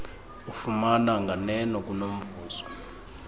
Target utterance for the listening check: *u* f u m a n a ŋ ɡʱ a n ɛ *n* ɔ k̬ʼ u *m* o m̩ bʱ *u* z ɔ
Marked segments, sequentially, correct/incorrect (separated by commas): correct, correct, incorrect, incorrect